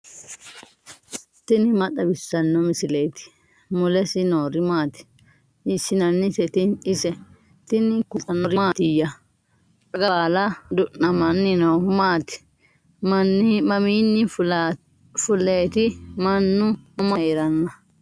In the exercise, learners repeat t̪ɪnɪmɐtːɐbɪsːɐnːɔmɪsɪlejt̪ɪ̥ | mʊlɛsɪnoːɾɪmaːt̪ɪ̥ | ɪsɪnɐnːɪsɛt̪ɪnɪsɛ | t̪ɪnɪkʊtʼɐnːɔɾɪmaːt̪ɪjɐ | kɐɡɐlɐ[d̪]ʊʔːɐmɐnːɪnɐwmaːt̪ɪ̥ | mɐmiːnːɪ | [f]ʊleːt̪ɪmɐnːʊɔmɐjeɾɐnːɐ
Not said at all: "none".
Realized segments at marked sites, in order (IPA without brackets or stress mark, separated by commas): d̪, f